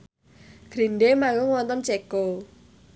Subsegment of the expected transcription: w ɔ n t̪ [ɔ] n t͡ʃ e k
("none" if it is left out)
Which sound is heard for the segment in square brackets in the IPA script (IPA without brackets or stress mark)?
ɔ